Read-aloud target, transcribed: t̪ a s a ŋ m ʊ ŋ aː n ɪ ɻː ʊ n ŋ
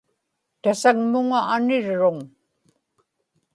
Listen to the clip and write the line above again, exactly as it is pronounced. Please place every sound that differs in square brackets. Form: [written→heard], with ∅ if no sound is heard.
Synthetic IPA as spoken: t̪ a s a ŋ m ʊ ŋ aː n ɪ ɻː ʊ [n→∅] ŋ

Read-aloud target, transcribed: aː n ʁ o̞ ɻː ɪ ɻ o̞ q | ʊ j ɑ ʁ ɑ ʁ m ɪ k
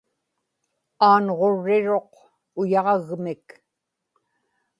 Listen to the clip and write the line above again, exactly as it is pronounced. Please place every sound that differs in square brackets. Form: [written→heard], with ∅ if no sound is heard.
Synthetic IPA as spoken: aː n ʁ o̞ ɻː ɪ ɻ o̞ q | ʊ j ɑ ʁ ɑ [ʁ→ɣ] m ɪ k

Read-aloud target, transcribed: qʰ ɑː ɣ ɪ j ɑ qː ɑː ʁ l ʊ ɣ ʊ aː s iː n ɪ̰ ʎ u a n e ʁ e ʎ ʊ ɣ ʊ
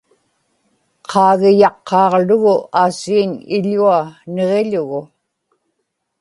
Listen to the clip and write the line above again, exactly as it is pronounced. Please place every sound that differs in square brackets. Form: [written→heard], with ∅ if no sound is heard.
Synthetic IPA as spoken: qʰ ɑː ɣ ɪ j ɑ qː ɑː ʁ l ʊ ɣ ʊ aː s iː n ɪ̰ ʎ u a n e ʁ e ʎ ʊ ɣ ʊ

